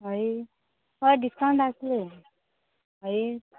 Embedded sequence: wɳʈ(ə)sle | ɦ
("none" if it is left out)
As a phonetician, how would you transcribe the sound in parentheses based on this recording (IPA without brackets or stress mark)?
a